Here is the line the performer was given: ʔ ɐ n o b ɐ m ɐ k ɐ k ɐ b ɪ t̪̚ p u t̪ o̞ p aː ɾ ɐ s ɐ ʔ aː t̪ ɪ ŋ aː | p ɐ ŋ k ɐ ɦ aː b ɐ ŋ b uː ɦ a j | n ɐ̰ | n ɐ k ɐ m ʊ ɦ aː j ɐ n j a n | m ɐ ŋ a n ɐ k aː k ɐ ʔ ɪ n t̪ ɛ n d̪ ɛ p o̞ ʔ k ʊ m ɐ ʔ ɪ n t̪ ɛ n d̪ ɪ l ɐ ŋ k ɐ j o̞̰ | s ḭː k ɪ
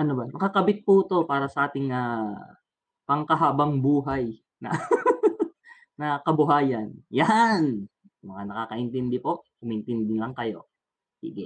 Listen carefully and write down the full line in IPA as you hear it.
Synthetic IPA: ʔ ɐ n o b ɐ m ɐ k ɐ k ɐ b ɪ t̪̚ p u t̪ o̞ p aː ɾ ɐ s ɐ ʔ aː t̪ ɪ ŋ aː | p ɐ ŋ k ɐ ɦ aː b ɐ ŋ b uː ɦ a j | n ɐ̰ | n ɐ k ɐ b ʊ ɦ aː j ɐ n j a n | m ɐ ŋ a n ɐ k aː k ɐ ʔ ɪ n t̪ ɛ n d̪ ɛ p o̞ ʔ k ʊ m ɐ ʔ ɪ n t̪ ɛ n d̪ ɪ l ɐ ŋ k ɐ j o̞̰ | s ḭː ɡ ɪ